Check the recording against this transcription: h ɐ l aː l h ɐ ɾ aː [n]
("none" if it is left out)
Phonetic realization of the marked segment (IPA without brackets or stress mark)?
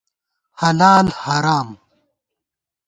m